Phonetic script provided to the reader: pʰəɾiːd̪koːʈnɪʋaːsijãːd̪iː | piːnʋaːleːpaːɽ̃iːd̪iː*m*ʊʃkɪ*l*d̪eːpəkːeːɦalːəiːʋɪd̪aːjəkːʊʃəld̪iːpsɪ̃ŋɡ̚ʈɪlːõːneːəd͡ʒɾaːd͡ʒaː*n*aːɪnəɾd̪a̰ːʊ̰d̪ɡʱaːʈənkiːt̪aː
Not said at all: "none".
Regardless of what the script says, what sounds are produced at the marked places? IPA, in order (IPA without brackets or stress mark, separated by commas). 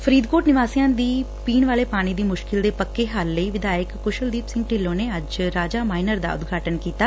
m, l, m